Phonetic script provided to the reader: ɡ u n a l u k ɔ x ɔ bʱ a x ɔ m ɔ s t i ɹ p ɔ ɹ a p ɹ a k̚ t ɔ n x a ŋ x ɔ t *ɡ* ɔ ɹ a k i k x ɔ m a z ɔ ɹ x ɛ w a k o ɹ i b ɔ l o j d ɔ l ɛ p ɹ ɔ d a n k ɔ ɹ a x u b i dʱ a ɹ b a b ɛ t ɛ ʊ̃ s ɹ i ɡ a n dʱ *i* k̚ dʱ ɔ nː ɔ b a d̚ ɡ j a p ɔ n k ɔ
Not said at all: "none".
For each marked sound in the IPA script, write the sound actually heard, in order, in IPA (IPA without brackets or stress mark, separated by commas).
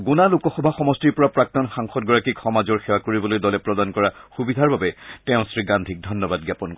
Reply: ɡ, i